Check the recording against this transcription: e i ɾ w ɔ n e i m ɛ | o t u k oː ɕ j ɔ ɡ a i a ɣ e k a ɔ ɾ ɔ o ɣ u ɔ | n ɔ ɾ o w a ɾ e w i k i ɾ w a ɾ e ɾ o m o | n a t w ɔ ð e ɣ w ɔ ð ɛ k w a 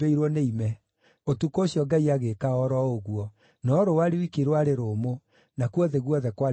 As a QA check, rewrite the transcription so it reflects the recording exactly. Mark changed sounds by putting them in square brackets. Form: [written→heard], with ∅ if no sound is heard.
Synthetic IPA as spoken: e i ɾ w ɔ n e i m ɛ | o t u k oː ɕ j ɔ ɡ a i a ɣ e k a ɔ ɾ ɔ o ɣ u ɔ | n ɔ ɾ o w a ɾ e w i k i ɾ w a ɾ e ɾ o m o | n a [t→k] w ɔ ð e ɣ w ɔ ð ɛ k w a